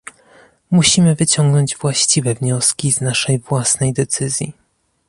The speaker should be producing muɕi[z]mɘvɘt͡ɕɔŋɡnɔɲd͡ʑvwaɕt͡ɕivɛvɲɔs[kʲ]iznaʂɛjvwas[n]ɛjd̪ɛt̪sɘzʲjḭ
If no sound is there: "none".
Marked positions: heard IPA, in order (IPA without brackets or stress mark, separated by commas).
none, kʲ, n